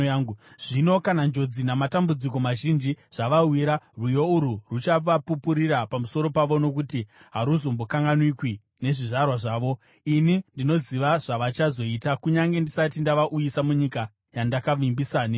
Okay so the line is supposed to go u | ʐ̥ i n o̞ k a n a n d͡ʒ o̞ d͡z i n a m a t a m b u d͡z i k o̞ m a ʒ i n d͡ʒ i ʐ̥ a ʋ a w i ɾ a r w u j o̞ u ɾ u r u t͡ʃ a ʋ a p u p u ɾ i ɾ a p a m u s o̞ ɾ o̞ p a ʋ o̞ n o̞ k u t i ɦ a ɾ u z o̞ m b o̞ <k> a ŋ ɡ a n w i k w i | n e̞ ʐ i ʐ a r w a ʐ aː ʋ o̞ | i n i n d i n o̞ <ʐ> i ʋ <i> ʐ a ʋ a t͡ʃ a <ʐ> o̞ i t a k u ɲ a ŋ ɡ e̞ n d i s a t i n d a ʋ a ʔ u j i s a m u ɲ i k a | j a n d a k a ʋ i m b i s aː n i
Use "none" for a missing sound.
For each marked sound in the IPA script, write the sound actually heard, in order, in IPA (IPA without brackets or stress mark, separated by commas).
k, z, a, z